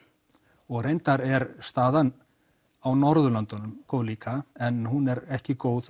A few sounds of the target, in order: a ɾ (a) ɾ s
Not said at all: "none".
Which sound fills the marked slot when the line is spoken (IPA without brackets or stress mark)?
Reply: ɛ